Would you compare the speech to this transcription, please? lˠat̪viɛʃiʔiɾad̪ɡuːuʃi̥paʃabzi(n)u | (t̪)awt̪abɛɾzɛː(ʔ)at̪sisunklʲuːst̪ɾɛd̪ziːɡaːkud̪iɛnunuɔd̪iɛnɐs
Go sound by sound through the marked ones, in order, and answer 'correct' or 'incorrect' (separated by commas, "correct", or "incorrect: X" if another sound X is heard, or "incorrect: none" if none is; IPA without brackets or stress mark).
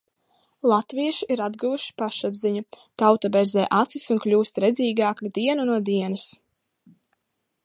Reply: incorrect: ɲ, correct, correct